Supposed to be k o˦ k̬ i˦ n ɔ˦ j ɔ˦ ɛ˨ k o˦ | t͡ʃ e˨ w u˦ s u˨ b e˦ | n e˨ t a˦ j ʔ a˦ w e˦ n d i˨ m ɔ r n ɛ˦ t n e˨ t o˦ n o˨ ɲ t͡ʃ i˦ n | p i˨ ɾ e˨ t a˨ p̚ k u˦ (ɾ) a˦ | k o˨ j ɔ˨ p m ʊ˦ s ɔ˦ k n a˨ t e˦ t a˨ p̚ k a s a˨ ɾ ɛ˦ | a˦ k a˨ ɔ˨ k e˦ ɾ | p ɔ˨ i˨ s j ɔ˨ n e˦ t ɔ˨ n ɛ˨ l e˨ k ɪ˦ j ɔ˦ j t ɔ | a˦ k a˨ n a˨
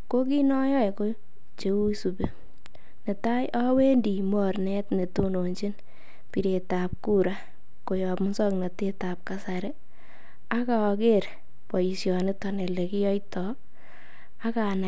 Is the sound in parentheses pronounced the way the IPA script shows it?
yes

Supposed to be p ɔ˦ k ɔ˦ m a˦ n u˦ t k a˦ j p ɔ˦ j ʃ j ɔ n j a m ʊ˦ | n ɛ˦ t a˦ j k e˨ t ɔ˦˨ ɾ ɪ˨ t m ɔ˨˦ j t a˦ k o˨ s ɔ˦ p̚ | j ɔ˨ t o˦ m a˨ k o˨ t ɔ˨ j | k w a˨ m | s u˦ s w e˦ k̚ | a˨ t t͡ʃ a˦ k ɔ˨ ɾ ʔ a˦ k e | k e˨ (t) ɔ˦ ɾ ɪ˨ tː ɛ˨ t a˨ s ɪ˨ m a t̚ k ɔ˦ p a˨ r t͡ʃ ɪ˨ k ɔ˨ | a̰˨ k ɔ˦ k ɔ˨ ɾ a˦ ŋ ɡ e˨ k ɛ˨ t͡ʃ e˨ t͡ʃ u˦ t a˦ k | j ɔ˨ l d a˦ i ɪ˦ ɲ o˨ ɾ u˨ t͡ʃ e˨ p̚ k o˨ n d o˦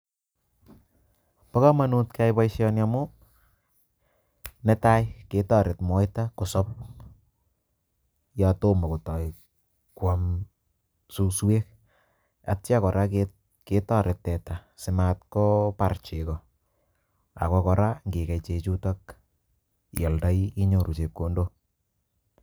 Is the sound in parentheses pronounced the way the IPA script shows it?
yes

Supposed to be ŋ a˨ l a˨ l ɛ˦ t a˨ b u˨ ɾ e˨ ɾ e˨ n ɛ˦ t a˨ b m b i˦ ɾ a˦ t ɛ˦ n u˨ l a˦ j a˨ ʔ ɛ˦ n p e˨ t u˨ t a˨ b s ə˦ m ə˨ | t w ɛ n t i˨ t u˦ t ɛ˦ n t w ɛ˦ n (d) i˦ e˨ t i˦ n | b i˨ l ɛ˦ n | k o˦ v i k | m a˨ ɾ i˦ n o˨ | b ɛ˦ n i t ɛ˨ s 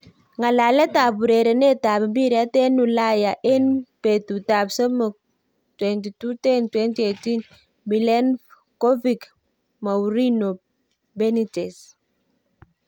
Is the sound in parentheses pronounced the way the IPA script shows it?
no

